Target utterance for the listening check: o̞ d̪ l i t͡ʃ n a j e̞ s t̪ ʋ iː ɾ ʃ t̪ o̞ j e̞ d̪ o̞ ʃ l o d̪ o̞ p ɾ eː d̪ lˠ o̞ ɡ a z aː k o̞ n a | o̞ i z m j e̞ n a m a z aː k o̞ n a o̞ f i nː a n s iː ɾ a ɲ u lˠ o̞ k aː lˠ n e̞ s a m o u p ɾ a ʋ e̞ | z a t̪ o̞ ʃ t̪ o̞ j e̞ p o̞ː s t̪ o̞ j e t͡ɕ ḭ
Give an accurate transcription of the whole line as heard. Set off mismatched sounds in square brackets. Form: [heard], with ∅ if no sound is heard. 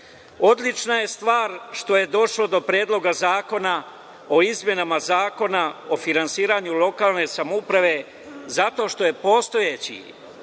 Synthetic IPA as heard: o̞ d̪ l i t͡ʃ n a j e̞ s t̪ ʋ [aː] ɾ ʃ t̪ o̞ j e̞ d̪ o̞ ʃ l o d̪ o̞ p ɾ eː d̪ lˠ o̞ ɡ a z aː k o̞ n a | o̞ i z m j e̞ n a m a z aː k o̞ n a o̞ f i [n] a n s iː ɾ a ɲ u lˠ o̞ k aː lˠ n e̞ s a m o u p ɾ a ʋ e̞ | z a t̪ o̞ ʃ t̪ o̞ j e̞ p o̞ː s t̪ o̞ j e t͡ɕ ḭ